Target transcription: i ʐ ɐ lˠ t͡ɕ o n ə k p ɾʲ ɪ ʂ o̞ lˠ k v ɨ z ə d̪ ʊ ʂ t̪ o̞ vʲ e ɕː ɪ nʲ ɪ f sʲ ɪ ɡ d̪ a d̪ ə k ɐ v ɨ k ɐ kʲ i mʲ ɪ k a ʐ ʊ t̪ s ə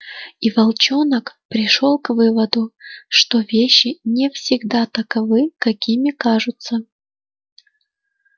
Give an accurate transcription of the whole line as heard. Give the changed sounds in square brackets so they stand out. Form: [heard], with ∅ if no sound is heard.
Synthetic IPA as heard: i [v] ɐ lˠ t͡ɕ o n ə k p ɾʲ ɪ ʂ o̞ lˠ k v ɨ [v] ə d̪ ʊ ʂ t̪ o̞ vʲ e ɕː ɪ nʲ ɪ f sʲ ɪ ɡ d̪ a [t̪] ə k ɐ v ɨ k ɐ kʲ i mʲ ɪ k a ʐ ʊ t̪ s ə